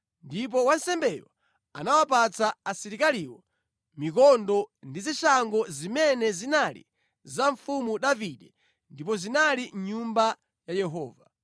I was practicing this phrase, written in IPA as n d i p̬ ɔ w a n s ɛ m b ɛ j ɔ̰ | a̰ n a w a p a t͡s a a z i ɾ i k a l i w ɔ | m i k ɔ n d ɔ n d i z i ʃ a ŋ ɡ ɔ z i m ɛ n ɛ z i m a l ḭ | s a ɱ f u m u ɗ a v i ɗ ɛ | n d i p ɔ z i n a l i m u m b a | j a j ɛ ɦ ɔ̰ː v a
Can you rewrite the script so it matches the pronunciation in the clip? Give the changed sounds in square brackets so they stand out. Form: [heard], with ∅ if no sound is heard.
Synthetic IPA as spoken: n d i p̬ ɔ w a n s ɛ m b ɛ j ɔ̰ | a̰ n a w a p a t͡s a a [s] i ɾ i k a l i w ɔ | m i k ɔ n d ɔ n d i z i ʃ a ŋ ɡ ɔ z i m ɛ n ɛ z i [n] a l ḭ | [z] a ɱ f u m u ɗ a v i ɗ ɛ | n d i p ɔ z i n a l i [ɲ] u m b a | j a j ɛ ɦ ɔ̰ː v a